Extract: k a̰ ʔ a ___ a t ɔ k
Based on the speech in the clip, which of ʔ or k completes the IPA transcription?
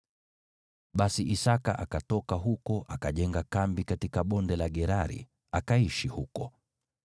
k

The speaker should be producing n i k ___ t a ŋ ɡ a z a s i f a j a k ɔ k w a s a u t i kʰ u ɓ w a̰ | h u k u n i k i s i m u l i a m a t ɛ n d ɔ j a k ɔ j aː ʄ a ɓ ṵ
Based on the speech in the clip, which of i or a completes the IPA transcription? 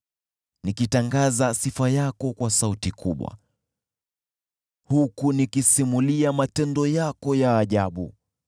i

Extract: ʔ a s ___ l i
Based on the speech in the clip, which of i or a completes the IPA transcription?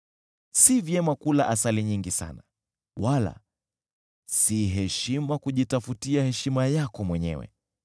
a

